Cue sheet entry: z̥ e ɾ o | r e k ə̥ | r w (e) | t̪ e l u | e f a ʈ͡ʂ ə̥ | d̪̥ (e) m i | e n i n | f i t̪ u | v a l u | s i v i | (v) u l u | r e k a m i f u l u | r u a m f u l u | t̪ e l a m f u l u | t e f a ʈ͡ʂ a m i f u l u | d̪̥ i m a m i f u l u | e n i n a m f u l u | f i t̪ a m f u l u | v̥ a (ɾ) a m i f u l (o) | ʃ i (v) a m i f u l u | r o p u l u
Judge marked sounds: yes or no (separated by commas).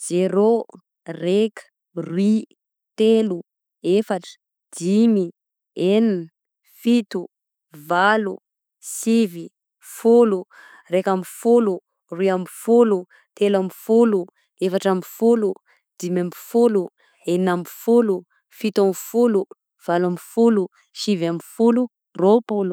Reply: no, no, no, no, no, yes